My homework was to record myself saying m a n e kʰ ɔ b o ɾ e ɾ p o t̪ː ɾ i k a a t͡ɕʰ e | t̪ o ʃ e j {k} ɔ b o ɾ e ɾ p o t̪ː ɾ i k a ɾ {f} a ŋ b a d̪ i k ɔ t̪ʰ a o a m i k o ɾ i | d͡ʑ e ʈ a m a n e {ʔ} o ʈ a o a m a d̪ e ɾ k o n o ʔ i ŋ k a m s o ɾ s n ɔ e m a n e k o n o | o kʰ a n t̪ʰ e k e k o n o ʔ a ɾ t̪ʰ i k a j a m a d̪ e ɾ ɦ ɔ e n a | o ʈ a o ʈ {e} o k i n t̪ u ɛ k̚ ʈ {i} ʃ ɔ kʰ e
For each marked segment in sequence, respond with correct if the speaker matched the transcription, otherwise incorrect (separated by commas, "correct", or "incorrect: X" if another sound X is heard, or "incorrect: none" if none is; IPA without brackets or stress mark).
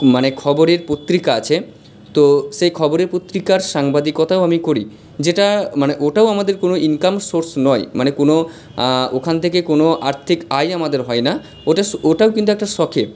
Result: incorrect: kʰ, incorrect: ʃ, correct, incorrect: a, incorrect: a